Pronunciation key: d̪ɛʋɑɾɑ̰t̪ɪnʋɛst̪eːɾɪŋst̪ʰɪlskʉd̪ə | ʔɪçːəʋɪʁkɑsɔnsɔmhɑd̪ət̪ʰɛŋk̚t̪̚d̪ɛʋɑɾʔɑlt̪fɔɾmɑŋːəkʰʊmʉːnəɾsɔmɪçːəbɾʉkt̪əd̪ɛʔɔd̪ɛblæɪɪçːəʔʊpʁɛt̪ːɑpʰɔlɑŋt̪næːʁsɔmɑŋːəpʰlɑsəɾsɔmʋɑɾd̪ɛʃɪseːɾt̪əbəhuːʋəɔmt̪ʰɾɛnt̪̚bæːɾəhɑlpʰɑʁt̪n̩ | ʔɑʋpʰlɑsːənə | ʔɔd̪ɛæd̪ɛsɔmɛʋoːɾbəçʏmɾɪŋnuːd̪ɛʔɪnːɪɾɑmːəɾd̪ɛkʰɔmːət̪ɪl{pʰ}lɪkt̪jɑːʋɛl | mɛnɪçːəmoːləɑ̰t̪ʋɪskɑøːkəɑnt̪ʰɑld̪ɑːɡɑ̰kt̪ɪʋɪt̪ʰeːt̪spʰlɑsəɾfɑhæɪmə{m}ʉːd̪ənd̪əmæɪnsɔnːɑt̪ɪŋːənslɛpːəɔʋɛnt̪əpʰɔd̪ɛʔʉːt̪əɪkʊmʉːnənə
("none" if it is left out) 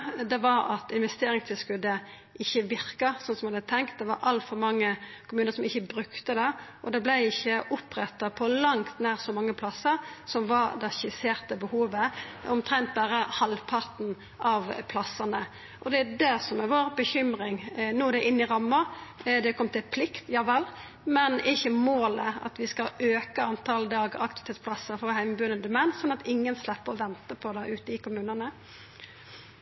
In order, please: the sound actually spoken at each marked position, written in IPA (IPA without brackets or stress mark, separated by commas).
pʰ, b